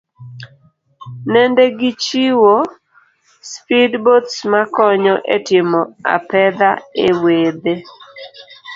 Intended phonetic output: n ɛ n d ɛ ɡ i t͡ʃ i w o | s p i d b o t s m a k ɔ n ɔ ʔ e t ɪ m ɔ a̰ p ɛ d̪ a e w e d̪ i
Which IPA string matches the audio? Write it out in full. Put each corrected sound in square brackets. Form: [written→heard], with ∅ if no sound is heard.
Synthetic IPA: n ɛ n d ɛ ɡ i t͡ʃ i w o | s p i d b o t s m a k ɔ [n→ɲ] ɔ ʔ e t ɪ m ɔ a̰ p ɛ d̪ a e w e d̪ [i→e]